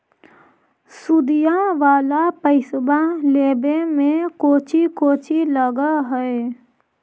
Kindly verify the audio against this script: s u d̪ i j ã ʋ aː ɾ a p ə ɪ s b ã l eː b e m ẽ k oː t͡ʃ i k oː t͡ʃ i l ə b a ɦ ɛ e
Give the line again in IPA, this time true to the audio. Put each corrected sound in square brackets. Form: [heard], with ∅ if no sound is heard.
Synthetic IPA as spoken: s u d̪ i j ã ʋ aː [l] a p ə ɪ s b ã l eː b e m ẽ k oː t͡ʃ i k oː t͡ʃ i l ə [ɡ] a ɦ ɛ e